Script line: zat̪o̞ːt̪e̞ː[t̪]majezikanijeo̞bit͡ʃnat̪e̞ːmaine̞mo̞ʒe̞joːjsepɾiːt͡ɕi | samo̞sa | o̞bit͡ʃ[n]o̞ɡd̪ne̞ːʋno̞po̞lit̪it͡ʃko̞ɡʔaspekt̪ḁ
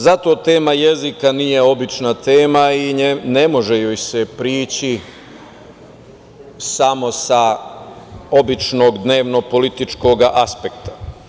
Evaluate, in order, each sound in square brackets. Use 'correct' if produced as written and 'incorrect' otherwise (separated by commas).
incorrect, correct